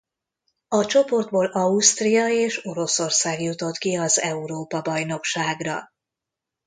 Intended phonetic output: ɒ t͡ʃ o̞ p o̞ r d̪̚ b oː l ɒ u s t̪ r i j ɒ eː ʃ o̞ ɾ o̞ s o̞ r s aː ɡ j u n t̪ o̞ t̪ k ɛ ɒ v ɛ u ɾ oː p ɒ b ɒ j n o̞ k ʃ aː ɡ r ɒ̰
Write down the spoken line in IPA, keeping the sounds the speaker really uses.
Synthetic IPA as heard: ɒ t͡ʃ o̞ p o̞ r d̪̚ b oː l ɒ u s t̪ r i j ɒ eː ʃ o̞ ɾ o̞ s o̞ r s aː ɡ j u t̪ o̞ t̪ k i ɒ z ɛ u ɾ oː p ɒ b ɒ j n o̞ k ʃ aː ɡ r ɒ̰